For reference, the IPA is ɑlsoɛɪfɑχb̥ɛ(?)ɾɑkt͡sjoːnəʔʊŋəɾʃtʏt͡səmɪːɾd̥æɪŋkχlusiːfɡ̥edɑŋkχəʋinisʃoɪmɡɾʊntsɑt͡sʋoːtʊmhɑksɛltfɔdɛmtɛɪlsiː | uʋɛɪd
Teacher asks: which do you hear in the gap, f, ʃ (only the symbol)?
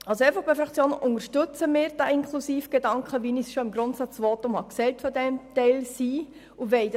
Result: f